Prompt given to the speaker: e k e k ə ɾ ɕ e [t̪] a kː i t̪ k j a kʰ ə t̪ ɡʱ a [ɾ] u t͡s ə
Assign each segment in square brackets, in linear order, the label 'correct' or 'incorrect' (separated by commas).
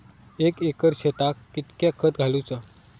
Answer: correct, incorrect